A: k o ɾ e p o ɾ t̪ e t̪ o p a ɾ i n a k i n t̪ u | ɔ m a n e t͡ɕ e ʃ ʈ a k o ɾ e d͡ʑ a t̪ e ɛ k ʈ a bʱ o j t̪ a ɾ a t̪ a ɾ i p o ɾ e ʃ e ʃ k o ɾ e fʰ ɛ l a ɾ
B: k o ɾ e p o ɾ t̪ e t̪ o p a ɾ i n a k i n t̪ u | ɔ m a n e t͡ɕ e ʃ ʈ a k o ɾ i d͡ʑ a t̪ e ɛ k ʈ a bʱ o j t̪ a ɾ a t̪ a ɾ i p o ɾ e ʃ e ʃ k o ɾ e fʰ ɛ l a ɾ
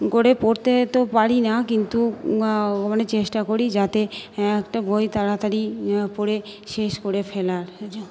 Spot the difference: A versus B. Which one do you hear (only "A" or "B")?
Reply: B